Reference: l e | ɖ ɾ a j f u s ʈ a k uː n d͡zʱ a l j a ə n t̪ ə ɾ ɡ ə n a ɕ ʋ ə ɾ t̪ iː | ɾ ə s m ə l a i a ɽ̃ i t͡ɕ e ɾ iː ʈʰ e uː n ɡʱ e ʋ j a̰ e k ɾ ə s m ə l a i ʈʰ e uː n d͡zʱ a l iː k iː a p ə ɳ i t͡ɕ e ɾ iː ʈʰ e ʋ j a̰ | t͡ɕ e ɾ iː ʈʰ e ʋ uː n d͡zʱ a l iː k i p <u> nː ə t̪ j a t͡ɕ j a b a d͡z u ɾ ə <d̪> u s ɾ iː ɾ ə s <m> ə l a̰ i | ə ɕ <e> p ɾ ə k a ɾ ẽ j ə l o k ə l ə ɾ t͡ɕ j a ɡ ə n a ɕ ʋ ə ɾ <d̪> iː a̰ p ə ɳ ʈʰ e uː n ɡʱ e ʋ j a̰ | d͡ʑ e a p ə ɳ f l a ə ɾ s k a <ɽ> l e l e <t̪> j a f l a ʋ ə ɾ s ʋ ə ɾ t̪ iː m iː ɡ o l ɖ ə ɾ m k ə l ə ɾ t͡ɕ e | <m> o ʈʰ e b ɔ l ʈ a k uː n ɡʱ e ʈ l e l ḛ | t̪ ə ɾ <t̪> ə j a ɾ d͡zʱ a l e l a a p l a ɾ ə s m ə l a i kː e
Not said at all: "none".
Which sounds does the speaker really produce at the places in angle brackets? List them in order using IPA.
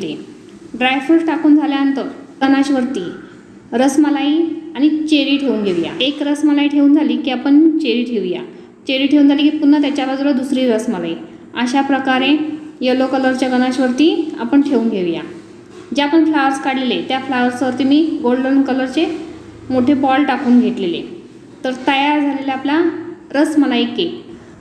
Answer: u, d̪, m, a, t̪, ɽ, t̪, m, t̪

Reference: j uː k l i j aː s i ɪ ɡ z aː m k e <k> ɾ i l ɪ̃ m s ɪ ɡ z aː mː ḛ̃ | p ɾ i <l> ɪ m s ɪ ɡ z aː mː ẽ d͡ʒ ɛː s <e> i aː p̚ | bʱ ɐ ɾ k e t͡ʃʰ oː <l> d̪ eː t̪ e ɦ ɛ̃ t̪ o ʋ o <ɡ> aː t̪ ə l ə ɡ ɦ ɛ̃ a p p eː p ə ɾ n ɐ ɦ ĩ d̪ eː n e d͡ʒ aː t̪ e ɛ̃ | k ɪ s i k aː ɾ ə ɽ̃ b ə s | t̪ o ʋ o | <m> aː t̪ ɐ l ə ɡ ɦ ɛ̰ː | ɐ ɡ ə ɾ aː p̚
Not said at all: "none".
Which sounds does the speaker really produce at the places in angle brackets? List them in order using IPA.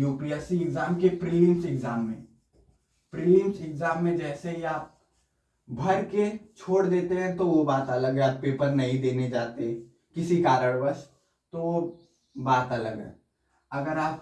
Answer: p, l, e, ɽ, b, b

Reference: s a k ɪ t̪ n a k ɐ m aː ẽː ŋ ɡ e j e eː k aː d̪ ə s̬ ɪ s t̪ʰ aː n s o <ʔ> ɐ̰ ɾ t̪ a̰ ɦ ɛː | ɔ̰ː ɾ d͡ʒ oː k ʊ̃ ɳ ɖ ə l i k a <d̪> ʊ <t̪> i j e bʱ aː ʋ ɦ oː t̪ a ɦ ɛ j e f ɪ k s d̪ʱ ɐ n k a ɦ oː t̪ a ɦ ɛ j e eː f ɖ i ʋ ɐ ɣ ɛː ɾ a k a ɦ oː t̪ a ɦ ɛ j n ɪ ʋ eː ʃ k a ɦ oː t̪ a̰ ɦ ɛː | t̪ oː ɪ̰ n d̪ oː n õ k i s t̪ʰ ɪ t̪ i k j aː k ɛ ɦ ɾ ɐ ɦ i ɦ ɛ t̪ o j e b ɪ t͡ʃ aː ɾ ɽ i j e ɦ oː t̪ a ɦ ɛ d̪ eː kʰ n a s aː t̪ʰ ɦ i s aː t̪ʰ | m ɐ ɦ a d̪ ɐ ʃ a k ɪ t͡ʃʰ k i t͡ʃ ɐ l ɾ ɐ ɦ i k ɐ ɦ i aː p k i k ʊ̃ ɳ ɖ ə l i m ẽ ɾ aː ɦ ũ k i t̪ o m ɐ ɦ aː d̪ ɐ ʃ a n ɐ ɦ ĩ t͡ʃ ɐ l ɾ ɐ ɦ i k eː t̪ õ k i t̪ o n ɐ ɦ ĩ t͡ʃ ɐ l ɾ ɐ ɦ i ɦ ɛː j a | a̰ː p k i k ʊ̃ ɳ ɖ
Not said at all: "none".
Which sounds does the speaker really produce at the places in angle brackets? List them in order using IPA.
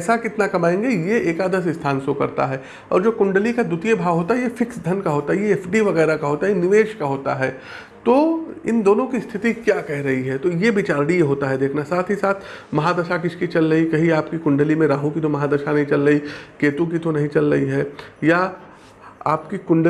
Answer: k, d̪, t̪

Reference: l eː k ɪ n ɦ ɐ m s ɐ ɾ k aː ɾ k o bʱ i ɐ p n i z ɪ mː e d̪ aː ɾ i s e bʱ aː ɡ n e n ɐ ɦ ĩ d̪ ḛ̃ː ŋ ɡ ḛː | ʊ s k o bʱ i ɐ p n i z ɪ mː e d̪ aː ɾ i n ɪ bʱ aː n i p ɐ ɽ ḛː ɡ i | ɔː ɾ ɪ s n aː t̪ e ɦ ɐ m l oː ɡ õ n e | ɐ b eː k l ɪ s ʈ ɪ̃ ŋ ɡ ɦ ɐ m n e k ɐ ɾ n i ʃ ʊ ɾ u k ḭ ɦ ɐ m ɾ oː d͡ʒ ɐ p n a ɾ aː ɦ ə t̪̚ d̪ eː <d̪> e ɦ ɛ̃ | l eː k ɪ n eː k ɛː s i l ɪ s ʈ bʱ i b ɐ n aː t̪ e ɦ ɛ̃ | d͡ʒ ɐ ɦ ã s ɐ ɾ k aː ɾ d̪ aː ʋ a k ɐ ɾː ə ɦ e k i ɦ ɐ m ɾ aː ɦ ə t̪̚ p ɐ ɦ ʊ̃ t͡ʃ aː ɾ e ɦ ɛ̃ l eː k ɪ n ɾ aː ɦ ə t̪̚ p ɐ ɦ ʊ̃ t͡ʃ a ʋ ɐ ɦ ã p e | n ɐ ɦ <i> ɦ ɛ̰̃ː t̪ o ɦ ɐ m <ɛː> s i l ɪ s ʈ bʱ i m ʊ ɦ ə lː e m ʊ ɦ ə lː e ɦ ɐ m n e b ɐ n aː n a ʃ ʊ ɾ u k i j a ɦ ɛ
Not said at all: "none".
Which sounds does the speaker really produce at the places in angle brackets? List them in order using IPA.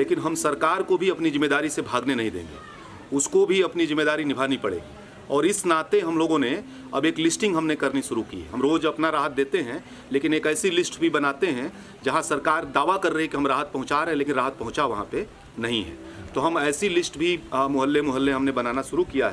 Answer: t̪, ĩ, ɛː

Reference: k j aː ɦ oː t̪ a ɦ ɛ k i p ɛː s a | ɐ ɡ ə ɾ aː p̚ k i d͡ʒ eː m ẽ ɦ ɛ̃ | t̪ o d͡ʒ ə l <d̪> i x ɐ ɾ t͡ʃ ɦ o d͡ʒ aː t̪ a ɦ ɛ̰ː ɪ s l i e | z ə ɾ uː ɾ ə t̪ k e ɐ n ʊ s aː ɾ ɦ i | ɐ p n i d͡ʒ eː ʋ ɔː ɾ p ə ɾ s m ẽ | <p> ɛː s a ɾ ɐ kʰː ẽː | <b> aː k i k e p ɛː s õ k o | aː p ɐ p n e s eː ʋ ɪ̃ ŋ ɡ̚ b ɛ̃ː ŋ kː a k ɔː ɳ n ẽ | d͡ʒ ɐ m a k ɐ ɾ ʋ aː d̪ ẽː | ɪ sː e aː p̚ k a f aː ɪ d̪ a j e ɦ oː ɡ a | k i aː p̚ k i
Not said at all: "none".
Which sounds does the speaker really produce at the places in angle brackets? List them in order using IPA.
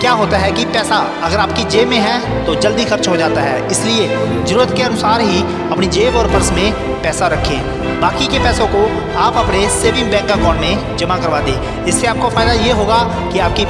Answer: d̪, p, b

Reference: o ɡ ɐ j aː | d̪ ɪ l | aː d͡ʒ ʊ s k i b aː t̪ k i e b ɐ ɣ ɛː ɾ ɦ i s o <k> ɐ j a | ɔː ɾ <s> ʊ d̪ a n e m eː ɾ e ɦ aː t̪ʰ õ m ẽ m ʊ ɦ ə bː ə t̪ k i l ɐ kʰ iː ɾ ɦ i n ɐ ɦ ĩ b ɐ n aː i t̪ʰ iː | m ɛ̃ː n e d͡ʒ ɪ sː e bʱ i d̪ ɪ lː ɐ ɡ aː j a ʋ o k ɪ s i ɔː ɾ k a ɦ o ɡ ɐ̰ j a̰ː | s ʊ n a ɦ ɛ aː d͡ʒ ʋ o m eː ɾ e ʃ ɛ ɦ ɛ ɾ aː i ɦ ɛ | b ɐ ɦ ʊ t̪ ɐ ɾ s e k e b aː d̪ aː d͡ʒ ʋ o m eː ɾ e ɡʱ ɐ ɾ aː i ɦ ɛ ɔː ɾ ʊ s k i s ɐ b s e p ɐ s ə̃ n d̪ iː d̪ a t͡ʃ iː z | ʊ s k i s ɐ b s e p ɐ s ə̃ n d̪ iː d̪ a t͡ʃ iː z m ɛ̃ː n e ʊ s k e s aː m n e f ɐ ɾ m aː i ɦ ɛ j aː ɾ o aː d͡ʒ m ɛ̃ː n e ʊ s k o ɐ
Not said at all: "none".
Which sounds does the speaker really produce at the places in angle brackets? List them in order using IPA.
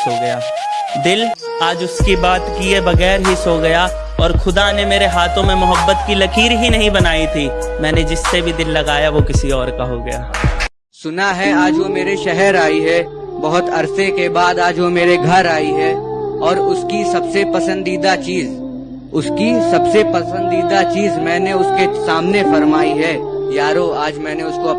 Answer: ɡ, x

